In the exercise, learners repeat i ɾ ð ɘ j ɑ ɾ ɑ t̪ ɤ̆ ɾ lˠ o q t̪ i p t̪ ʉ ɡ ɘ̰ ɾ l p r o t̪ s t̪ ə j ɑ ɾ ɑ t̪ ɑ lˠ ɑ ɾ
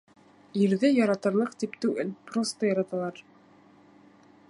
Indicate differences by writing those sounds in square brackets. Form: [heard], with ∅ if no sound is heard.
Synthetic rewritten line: i ɾ ð ɘ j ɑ ɾ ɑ t̪ ɤ̆ ɾ lˠ [ɤ] q t̪ i p t̪ ʉ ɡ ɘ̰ [∅] l p r o [∅] s t̪ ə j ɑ ɾ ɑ t̪ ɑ lˠ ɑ ɾ